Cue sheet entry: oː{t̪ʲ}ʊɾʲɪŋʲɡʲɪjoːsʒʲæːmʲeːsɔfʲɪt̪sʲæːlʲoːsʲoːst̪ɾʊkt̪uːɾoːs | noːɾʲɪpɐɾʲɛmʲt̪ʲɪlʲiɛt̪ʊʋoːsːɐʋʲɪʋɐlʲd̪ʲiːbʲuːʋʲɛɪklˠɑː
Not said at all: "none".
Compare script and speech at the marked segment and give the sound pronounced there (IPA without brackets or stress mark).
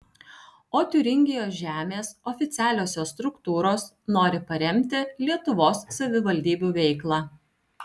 t̪ʲ